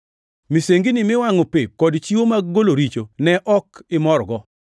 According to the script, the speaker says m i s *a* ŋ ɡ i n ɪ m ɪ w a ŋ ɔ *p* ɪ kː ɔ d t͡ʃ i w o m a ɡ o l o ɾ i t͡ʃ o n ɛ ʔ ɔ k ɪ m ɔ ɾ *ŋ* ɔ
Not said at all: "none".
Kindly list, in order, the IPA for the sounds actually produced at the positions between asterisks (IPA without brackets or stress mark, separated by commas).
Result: e, p, ɡ